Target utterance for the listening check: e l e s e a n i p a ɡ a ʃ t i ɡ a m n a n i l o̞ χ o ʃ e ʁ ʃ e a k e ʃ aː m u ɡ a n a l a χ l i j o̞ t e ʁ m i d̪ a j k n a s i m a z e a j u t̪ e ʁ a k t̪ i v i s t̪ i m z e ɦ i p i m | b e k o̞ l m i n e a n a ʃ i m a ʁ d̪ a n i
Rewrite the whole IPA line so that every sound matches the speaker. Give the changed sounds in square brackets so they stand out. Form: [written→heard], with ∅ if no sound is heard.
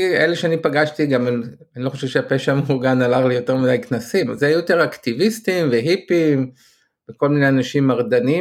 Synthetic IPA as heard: e l e [s→ʃ] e a n i p a ɡ a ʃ t i ɡ a m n a n i l o̞ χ o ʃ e [ʁ→v] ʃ e a [k→p] e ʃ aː m u ɡ a n a l a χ l i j o̞ t e ʁ m i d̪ a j k n a s i m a z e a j u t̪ e ʁ a k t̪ i v i s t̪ i m [z→v] e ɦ i p i m | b e k o̞ l m i n e a n a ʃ i m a ʁ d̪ a n i